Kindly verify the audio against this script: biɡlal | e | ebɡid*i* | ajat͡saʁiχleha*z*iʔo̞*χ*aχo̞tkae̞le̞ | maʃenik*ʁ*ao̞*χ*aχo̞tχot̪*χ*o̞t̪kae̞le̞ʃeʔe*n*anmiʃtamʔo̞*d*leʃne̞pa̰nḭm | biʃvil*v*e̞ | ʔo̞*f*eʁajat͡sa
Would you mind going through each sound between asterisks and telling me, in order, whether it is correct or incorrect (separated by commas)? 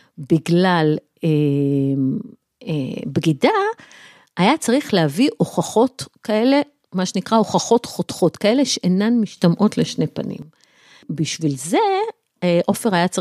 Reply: incorrect, incorrect, correct, correct, correct, correct, correct, incorrect, incorrect, correct